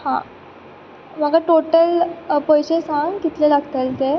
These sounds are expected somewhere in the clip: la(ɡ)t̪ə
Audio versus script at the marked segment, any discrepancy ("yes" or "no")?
no